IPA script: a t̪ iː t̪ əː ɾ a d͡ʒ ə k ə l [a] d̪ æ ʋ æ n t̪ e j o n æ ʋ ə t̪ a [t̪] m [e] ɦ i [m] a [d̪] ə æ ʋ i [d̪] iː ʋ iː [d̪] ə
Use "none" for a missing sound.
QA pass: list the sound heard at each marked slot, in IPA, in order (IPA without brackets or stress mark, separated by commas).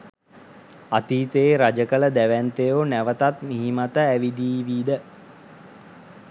ə, t̪, i, m, t̪, d̪, d̪